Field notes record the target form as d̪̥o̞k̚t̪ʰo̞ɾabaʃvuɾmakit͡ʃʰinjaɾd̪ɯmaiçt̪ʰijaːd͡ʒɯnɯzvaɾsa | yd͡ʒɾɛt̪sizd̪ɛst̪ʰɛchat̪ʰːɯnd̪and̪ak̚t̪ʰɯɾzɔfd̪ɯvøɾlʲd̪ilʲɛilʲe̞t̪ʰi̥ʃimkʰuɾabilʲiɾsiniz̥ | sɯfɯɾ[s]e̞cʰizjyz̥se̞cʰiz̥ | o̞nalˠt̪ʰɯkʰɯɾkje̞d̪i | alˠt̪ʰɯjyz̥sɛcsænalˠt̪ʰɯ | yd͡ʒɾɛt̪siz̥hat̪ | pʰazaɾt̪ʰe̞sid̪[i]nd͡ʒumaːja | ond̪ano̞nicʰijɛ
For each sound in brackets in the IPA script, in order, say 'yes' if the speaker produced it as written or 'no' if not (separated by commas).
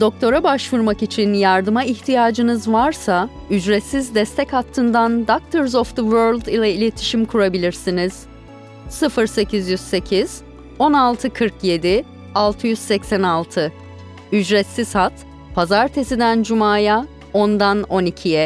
yes, no